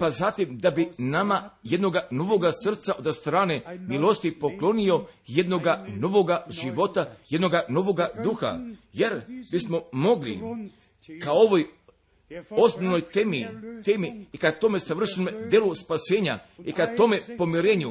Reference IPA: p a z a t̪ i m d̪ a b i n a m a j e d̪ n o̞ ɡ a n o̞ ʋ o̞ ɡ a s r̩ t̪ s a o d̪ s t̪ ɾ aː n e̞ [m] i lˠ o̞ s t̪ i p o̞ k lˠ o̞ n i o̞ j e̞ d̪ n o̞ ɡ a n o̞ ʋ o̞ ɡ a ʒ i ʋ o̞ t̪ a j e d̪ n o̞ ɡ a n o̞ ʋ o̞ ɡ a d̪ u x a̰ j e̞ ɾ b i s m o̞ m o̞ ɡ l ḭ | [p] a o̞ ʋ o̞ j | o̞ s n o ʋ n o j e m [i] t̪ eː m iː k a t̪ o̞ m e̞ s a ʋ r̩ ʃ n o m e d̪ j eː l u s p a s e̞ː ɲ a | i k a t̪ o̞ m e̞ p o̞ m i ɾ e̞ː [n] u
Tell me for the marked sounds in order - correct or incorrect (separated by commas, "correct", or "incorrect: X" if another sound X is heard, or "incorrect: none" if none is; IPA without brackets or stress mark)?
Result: correct, incorrect: k, correct, incorrect: ɲ